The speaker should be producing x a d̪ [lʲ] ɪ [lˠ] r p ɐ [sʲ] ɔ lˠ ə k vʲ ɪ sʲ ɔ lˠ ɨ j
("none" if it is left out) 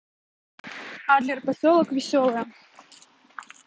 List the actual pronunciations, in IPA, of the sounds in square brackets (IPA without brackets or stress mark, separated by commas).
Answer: lʲ, none, sʲ